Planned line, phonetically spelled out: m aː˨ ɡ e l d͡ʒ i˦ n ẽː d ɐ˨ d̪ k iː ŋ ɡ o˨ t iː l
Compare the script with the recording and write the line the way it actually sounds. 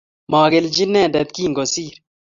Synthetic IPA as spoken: m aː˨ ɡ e l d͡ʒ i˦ n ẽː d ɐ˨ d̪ k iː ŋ ɡ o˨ s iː ɾ